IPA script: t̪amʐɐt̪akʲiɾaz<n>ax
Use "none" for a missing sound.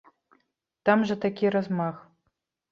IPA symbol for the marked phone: m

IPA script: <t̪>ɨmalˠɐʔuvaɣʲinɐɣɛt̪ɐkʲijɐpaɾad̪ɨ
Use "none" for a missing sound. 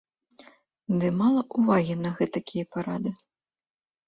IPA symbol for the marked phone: d̪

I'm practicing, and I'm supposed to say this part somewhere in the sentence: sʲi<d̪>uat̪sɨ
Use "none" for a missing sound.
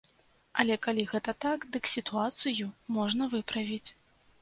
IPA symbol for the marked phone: t̪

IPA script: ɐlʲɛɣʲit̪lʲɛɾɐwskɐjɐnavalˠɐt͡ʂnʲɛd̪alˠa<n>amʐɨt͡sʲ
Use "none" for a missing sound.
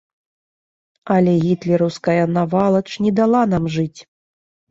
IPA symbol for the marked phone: n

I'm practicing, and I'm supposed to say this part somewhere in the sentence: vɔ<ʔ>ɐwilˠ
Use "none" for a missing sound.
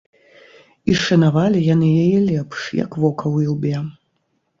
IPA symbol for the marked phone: k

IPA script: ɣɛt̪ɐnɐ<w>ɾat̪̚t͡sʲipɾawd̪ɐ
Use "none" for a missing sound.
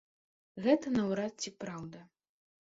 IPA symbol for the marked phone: w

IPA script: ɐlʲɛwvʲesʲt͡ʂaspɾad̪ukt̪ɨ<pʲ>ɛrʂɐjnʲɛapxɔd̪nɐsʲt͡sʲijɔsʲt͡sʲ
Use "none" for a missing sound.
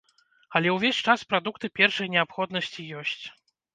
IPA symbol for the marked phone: pʲ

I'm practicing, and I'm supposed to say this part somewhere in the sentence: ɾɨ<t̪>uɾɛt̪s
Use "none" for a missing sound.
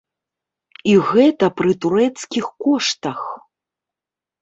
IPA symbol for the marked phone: t̪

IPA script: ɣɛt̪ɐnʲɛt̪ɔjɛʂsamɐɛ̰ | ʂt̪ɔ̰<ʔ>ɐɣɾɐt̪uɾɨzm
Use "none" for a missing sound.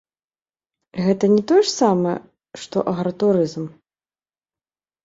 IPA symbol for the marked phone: ʔ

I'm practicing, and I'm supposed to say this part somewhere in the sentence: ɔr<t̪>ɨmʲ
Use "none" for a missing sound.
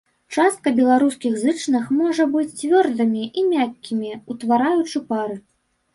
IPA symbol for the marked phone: d̪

